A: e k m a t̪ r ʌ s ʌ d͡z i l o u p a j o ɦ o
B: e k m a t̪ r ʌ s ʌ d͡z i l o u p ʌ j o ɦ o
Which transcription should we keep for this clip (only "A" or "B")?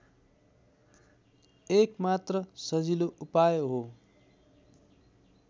A